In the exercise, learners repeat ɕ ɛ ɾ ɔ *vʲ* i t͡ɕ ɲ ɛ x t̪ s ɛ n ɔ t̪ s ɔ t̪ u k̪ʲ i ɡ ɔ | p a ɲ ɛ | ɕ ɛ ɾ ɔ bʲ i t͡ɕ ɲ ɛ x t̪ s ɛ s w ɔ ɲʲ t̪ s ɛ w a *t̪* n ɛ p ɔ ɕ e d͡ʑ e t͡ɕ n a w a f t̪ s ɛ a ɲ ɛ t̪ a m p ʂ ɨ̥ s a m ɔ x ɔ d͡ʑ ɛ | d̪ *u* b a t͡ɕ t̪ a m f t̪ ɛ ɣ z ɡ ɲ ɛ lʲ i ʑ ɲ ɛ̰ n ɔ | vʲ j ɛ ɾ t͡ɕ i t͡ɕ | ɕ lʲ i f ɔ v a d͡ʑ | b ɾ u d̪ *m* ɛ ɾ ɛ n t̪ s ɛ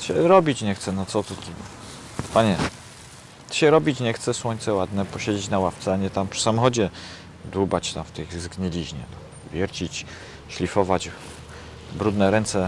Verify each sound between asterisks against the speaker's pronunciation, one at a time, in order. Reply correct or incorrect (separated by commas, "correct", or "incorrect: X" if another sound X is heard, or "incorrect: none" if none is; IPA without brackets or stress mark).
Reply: incorrect: bʲ, incorrect: d̪, correct, incorrect: n